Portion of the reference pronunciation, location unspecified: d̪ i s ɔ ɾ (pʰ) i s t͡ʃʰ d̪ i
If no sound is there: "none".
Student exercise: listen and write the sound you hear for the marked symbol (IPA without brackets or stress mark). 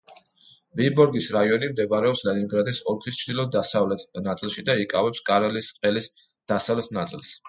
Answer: kʰ